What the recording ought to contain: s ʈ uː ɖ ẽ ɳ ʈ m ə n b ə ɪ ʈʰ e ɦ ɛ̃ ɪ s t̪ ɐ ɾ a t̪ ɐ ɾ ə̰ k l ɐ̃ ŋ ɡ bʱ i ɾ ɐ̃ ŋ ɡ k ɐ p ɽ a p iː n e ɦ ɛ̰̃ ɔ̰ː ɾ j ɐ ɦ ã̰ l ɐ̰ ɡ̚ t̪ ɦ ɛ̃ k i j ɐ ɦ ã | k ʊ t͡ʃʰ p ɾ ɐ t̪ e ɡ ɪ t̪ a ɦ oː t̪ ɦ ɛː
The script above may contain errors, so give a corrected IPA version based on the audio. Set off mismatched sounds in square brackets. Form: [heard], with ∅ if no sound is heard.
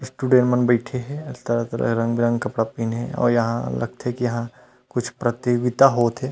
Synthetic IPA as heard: s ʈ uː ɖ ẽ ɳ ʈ m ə n b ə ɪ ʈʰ e ɦ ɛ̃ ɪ s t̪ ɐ ɾ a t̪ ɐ ɾ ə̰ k [ɾ] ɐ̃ ŋ ɡ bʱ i ɾ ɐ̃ ŋ ɡ k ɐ p ɽ a p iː n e ɦ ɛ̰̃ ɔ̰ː ɾ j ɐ ɦ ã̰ l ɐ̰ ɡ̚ t̪ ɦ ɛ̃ k i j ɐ ɦ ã | k ʊ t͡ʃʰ p ɾ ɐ t̪ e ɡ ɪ t̪ a ɦ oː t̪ ɦ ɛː

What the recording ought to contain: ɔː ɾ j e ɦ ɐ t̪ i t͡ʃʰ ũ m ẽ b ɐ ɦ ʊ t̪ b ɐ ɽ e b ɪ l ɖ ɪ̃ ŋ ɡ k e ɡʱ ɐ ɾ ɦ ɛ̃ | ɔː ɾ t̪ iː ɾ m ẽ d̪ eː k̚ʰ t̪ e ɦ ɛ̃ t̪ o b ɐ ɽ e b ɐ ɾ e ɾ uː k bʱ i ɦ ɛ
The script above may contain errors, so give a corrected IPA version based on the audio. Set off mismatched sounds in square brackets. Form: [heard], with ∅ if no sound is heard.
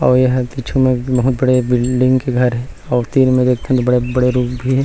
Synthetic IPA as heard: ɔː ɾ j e ɦ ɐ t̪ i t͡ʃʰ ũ m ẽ b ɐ ɦ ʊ t̪ b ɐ ɽ e b ɪ l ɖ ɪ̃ ŋ ɡ k e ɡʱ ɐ ɾ ɦ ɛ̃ | ɔː ɾ t̪ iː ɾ m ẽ d̪ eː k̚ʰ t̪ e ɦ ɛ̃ t̪ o b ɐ ɽ e b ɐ [ɽ] e ɾ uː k bʱ i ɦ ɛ

